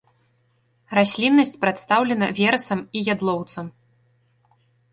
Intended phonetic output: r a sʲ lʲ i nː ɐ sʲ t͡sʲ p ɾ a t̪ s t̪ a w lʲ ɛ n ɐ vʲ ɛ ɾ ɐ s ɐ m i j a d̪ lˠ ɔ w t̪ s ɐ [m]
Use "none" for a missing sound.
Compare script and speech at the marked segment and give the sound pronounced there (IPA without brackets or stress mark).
m